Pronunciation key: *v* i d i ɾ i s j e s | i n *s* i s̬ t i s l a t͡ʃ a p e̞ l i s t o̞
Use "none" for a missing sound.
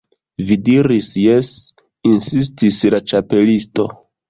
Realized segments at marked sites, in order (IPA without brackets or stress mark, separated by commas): v, s